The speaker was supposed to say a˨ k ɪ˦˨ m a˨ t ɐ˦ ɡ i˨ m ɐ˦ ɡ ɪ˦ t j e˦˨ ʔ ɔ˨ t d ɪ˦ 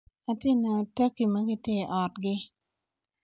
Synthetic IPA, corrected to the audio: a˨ t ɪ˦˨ n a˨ t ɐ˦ k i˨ m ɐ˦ ɡ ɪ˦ t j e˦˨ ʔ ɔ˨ t ɡ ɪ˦

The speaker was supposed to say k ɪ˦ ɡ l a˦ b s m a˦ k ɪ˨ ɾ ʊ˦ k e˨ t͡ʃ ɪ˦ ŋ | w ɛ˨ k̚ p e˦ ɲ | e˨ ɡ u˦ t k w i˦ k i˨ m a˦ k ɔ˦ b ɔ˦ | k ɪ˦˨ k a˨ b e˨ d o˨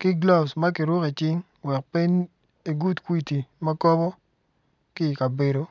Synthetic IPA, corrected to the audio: k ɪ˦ ɡ l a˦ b s m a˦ k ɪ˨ ɾ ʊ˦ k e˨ t͡ʃ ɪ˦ ŋ | w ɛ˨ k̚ p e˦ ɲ | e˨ ɡ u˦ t k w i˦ t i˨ m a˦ k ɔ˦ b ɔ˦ | k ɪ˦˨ k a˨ b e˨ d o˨

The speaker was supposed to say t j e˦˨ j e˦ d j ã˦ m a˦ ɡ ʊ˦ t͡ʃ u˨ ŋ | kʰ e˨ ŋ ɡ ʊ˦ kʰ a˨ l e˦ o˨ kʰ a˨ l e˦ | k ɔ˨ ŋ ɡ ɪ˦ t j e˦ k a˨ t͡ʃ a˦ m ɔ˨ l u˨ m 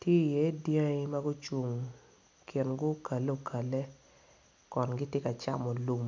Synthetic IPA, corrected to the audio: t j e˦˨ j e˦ d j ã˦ m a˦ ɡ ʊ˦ t͡ʃ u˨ ŋ | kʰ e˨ n ɡ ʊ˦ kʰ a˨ l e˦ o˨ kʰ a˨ l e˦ | k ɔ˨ n ɡ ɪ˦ t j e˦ k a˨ t͡ʃ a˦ m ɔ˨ l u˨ m

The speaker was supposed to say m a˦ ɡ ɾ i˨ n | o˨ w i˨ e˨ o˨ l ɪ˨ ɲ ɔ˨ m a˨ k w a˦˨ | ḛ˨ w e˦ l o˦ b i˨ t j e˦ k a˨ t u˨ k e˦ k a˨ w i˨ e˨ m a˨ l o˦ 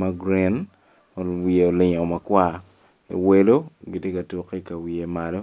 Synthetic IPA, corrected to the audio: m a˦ ɡ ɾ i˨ n | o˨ w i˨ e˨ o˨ l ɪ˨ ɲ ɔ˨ m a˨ k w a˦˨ | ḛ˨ w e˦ l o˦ ɡ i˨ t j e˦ k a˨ t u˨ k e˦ k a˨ w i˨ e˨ m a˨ l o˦

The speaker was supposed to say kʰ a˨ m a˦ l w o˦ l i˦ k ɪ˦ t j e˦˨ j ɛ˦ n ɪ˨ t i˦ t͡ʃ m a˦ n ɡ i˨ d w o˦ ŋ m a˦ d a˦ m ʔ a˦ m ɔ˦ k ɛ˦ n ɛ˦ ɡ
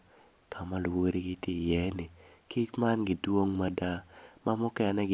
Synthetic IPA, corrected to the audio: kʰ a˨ m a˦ l w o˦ ɾ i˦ ɡ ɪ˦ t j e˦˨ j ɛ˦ n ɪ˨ k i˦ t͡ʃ m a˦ n ɡ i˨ d w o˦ ŋ m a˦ d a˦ m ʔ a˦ m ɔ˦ k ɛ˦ n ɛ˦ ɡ

